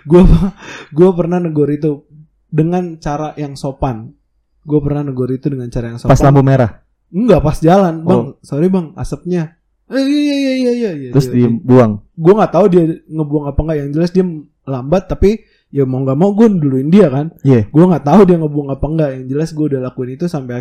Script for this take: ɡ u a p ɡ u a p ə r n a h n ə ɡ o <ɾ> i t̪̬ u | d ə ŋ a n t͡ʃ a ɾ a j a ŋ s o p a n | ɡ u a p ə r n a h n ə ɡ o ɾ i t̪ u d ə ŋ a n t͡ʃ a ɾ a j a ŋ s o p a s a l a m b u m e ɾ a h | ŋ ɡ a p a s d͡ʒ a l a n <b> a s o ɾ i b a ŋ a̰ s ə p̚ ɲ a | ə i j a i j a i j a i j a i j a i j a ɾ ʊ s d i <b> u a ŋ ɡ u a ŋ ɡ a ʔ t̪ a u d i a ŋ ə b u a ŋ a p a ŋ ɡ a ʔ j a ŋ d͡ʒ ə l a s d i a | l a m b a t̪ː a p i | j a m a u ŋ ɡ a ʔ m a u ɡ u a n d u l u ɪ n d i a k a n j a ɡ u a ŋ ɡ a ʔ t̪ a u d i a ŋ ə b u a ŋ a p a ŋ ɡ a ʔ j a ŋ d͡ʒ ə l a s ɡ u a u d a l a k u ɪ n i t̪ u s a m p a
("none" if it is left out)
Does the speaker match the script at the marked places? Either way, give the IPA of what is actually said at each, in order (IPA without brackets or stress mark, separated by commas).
ɾ, b, b